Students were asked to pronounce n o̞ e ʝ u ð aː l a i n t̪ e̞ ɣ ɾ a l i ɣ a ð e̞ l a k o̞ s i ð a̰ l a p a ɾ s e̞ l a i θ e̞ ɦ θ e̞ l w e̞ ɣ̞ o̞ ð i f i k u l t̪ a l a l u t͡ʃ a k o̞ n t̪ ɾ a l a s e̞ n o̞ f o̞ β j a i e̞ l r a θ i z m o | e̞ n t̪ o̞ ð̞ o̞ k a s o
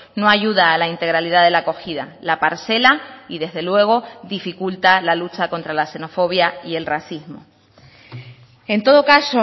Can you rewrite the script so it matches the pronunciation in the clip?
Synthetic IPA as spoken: n o̞ a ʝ u ð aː l a i n t̪ e̞ ɣ ɾ a l i ð a ð e̞ l a k o̞ x i ð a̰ l a p a ɾ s e̞ l a i ð e̞ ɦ ð e̞ l w e̞ ɣ̞ o̞ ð i f i k u l t̪ a l a l u t͡ʃ a k o̞ n t̪ ɾ a l a s e̞ n o̞ f o̞ β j a i e̞ l r a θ i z m o | e̞ n t̪ o̞ ð̞ o̞ k a s o